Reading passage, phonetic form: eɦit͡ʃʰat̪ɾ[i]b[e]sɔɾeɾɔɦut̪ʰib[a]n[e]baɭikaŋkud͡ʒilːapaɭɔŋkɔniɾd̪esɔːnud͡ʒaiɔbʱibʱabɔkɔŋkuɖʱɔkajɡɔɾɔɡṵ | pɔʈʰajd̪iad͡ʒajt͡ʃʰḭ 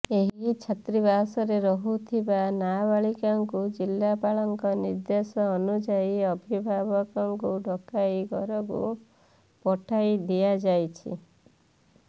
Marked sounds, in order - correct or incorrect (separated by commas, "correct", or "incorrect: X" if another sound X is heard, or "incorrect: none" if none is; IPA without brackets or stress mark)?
correct, incorrect: a, correct, incorrect: a